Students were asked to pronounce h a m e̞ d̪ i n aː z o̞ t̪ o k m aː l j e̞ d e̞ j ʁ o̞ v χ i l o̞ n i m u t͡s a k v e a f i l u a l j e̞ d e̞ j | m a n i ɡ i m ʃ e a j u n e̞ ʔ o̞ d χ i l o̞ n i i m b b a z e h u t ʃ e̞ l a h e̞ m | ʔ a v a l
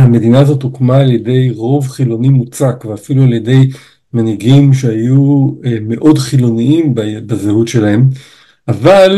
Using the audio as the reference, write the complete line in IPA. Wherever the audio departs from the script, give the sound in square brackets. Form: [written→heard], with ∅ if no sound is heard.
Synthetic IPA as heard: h a m e̞ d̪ i n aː z o̞ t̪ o k m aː l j e̞ d e̞ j ʁ o̞ v χ i l o̞ n i m u t͡s a k v e a f i l u a l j e̞ d e̞ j | m a n i ɡ i m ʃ e a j u [n→m] e̞ ʔ o̞ d χ i l o̞ n i i m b b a z e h u t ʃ e̞ l a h e̞ m | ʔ a v a l